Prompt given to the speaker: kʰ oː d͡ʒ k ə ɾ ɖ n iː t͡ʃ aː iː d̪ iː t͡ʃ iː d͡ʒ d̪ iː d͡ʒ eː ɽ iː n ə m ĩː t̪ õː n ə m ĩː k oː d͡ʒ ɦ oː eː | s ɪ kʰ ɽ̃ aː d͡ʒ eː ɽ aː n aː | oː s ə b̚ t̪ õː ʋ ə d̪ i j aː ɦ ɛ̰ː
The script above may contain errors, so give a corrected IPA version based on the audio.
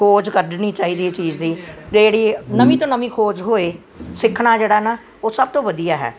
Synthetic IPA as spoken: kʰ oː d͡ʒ k ə ɾ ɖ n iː t͡ʃ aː iː d̪ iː t͡ʃ iː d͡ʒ d̪ iː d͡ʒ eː ɽ iː n ə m ĩː t̪ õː n ə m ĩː kʰ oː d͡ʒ ɦ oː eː | s ɪ kʰ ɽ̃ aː d͡ʒ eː ɽ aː n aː | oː s ə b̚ t̪ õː ʋ ə d̪ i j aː ɦ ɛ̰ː